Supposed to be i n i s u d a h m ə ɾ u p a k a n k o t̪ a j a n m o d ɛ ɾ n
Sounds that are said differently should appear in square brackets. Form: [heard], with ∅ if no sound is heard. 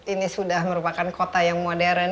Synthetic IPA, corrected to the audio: i n i s u d a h m ə ɾ u p a k a n k o t̪ a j a [ŋ] m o d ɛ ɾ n